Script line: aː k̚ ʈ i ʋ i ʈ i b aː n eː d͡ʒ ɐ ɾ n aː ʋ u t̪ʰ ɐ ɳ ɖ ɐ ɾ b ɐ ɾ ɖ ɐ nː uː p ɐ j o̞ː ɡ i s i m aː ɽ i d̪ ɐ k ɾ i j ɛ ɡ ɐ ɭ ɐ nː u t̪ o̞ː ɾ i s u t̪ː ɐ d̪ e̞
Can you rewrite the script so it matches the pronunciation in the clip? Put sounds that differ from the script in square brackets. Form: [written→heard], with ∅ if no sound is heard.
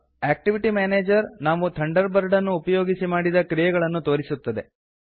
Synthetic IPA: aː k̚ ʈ i ʋ i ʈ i [b→m] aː n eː d͡ʒ ɐ ɾ n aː ʋ u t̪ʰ ɐ ɳ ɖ ɐ ɾ b ɐ ɾ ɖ ɐ nː uː p ɐ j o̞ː ɡ i s i m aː ɽ i d̪ ɐ k ɾ i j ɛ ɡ ɐ ɭ ɐ nː u t̪ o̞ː ɾ i s u t̪ː ɐ d̪ e̞